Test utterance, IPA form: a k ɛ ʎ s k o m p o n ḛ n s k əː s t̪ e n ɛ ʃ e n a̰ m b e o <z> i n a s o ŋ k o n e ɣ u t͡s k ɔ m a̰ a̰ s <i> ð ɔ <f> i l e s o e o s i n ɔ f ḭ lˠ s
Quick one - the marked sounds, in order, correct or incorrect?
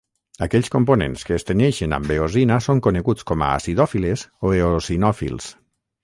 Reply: correct, correct, correct

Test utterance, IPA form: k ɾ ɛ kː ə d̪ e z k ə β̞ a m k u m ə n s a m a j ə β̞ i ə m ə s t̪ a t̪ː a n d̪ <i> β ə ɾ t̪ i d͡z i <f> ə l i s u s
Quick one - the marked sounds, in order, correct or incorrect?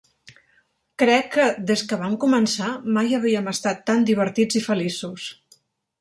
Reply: correct, correct

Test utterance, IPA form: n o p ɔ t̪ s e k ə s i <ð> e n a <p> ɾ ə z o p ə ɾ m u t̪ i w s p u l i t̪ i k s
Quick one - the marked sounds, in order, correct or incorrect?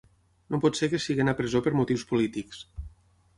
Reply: incorrect, correct

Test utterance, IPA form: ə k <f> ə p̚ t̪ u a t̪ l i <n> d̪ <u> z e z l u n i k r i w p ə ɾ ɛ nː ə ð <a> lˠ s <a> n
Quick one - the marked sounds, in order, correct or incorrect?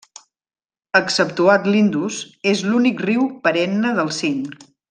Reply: incorrect, correct, correct, incorrect, incorrect

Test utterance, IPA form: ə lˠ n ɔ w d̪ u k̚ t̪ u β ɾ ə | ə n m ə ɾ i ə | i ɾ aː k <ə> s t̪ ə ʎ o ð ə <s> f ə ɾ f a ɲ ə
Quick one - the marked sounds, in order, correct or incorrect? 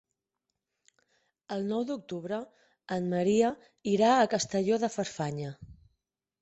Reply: correct, incorrect

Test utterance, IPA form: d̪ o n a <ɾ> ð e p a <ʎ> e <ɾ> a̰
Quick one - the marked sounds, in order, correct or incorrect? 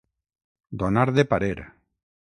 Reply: correct, incorrect, correct

